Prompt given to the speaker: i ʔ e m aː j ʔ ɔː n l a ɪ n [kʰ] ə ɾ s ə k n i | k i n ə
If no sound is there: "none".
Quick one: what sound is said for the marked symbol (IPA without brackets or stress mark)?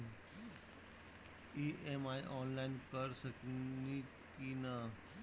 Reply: k